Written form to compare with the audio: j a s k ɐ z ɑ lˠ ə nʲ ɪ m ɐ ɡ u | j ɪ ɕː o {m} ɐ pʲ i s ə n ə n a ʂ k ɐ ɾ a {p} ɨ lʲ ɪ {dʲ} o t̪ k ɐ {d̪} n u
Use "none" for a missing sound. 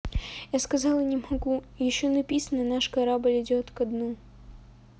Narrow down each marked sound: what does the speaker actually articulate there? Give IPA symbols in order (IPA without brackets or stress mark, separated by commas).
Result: n, b, dʲ, d̪